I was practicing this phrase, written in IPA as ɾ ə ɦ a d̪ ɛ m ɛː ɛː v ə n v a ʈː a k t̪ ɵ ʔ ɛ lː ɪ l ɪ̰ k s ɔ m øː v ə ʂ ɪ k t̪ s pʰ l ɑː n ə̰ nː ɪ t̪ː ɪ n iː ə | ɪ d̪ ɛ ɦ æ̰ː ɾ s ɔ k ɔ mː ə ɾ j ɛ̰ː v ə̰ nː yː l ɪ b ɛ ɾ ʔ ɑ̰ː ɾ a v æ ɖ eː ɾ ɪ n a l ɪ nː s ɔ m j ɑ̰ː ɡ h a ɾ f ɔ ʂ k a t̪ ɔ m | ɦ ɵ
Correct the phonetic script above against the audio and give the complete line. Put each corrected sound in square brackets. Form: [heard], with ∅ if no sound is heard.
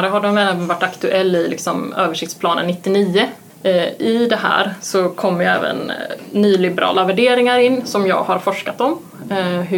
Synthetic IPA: ɾ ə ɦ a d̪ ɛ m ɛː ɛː v ə n v a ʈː a k t̪ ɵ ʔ ɛ lː ɪ l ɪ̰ k s ɔ m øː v ə ʂ ɪ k t̪ s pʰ l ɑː n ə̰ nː ɪ t̪ː ɪ n iː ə | ɪ d̪ ɛ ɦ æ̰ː ɾ s ɔ [kʰ] ɔ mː ə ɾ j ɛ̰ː v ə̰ nː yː l ɪ b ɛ ɾ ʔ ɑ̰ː [l] a v æ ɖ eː ɾ ɪ [ŋ] a [ɾ] ɪ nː s ɔ m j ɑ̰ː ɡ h a ɾ f ɔ ʂ k a t̪ ɔ m | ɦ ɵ